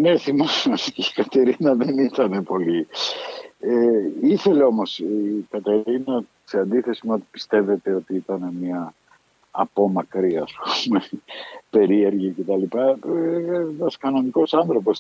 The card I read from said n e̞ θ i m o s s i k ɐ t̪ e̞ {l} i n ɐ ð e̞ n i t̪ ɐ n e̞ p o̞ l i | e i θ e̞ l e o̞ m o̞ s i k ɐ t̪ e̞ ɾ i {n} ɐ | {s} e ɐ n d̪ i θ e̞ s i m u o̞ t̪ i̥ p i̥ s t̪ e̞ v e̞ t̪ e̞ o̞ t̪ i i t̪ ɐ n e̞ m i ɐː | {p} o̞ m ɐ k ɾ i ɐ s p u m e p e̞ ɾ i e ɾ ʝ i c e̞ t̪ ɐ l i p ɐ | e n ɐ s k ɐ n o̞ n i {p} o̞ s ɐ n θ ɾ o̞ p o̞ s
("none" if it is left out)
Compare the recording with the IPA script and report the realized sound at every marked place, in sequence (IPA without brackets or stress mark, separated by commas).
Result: ɾ, n, s, p, k